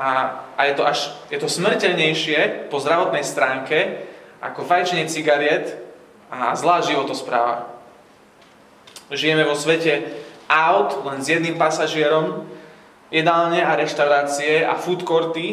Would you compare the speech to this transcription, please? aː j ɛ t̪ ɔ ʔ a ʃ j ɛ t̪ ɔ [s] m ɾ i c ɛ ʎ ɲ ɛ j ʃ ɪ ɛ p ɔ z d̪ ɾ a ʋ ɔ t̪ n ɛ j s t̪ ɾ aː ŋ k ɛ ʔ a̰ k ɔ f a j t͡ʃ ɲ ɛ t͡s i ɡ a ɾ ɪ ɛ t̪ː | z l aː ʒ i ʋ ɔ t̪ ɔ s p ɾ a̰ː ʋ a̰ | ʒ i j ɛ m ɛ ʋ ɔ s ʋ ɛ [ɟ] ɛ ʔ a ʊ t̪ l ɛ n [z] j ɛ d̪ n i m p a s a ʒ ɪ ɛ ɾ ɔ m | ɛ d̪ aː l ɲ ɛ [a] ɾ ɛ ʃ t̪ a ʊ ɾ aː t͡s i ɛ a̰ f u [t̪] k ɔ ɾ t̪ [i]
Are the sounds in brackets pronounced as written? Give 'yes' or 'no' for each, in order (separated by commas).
yes, no, yes, yes, yes, yes